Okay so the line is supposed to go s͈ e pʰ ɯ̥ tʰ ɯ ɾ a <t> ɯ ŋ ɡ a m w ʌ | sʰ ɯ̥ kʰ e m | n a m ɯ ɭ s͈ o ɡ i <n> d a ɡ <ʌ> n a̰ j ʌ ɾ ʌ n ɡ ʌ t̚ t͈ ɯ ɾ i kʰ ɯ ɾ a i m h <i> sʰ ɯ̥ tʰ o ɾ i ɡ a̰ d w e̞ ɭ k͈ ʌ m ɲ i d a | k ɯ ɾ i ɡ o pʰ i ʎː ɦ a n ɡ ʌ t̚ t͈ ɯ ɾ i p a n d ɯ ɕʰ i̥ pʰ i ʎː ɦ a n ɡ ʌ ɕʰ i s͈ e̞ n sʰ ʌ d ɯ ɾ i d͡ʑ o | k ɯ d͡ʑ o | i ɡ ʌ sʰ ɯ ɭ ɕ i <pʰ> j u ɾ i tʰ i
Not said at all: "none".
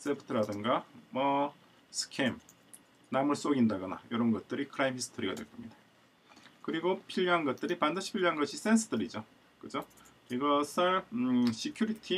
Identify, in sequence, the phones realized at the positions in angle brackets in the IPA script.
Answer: d, n, ʌ, i, kʰ

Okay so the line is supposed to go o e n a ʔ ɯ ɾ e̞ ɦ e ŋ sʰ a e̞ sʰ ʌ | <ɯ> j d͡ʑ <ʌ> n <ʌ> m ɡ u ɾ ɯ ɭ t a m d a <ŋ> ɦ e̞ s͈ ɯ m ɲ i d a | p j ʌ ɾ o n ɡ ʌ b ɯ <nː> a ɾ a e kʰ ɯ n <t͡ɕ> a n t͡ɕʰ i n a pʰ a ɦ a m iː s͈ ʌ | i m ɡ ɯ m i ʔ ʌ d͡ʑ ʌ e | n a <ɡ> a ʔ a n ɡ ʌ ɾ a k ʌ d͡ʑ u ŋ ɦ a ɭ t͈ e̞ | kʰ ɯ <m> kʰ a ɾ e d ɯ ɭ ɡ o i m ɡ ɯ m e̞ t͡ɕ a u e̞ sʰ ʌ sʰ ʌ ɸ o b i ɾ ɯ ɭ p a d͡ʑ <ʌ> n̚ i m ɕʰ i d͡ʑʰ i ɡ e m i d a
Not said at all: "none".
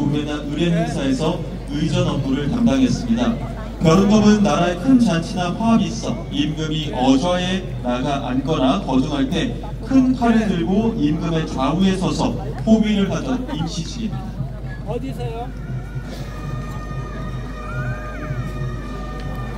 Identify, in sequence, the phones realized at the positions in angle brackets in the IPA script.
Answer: ɯ, ʌ, ʌ, ŋ, nː, t͡ɕ, ɡ, n, ʌ

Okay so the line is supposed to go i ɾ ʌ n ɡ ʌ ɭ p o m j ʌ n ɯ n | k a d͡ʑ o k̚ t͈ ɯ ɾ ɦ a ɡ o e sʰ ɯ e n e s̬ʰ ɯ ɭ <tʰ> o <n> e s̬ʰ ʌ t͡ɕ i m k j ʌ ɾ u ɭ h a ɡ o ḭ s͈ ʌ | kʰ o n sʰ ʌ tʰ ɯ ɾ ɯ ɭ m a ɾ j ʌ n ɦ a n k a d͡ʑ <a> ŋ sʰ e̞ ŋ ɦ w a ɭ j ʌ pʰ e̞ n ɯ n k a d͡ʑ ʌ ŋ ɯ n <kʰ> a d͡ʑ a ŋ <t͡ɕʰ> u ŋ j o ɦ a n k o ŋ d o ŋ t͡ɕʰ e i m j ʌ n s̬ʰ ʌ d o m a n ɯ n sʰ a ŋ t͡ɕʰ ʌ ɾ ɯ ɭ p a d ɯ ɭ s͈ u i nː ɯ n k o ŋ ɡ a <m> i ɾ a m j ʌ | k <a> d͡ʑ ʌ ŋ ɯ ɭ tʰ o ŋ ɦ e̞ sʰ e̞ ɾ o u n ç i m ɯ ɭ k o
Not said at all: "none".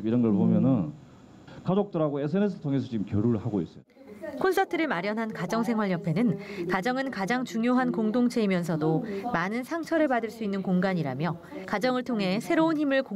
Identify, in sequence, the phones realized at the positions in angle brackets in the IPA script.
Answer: tʰ, ŋ, ʌ, k, t͡ɕ, ɲ, a

